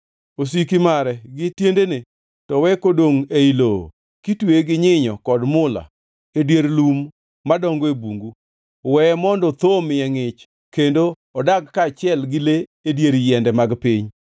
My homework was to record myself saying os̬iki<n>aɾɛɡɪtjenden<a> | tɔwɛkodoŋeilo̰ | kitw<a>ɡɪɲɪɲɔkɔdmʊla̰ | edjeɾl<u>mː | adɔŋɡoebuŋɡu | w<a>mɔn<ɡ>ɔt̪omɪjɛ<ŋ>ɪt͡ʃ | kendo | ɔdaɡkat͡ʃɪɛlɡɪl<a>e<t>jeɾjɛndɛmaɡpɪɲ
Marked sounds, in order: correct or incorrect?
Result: incorrect: m, incorrect: e, incorrect: e, correct, incorrect: ɛ, incorrect: d, correct, incorrect: e, incorrect: d

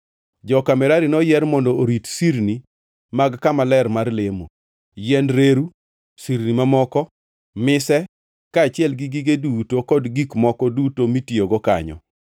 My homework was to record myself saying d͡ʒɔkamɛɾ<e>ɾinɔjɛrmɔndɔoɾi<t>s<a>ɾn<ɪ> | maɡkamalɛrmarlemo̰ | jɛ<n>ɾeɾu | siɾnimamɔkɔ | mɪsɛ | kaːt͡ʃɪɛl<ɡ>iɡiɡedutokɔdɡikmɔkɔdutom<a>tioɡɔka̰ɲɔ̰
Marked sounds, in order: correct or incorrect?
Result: incorrect: a, correct, incorrect: i, incorrect: i, correct, correct, incorrect: i

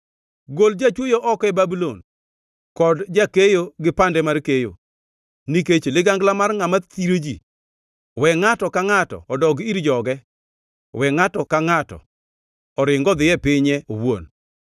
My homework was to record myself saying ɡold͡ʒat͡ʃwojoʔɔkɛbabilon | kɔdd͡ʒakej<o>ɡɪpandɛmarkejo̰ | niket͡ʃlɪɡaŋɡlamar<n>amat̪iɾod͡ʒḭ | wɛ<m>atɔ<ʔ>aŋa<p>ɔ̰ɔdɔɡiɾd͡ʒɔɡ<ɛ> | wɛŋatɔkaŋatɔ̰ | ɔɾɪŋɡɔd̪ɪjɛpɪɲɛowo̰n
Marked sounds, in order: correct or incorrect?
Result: correct, incorrect: ŋ, incorrect: ŋ, incorrect: k, incorrect: t, correct

